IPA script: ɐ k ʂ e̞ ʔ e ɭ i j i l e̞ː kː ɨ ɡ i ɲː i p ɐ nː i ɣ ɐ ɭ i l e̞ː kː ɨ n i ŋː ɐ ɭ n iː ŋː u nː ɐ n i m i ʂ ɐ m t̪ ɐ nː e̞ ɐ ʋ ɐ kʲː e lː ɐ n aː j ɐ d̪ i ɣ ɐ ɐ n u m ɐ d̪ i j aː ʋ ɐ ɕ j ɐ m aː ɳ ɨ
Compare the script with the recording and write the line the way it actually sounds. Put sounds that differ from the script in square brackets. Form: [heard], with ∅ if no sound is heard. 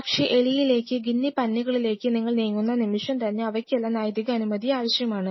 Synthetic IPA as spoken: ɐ k ʂ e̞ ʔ e ɭ i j i l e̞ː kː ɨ ɡ i [nː] i p ɐ nː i ɣ ɐ ɭ i l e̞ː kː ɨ n i ŋː ɐ ɭ n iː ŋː u nː ɐ n i m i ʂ ɐ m t̪ ɐ nː e̞ ɐ ʋ ɐ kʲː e lː ɐ n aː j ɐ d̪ i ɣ ɐ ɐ n u m ɐ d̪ i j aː ʋ ɐ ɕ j ɐ m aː ɳ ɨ